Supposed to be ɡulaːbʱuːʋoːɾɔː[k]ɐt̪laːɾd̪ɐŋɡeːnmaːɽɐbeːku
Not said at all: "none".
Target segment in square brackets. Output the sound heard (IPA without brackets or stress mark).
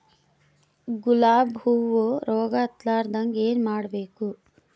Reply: ɡ